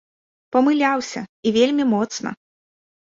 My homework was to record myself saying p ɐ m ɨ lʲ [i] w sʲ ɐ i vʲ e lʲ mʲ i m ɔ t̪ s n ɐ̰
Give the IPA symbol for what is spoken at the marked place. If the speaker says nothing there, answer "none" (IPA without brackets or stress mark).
a